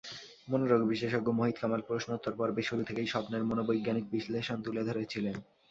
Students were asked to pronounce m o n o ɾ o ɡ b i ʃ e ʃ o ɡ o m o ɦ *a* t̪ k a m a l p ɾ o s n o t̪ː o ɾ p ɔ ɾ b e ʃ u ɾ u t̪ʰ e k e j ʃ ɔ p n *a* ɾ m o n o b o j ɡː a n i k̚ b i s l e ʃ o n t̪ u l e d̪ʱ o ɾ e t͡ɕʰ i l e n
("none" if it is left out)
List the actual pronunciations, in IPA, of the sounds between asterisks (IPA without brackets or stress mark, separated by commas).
i, e